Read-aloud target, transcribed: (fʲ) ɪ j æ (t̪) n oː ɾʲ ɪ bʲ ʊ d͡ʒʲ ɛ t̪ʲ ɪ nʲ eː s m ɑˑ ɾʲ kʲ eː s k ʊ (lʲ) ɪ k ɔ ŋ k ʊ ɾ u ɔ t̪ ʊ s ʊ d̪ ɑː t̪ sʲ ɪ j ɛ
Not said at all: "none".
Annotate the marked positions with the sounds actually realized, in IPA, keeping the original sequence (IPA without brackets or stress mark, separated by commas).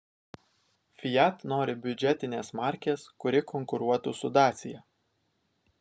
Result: fʲ, t̪, ɾʲ